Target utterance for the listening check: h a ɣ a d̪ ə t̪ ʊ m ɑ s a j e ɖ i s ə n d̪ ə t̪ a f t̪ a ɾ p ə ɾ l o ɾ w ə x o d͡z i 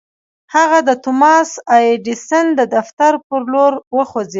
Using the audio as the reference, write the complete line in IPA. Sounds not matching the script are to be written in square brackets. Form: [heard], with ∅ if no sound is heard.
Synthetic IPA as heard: h a ɣ a d̪ ə t̪ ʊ m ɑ s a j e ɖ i s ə n d̪ ə [d̪] a f t̪ a ɾ p ə ɾ l o ɾ w ə x o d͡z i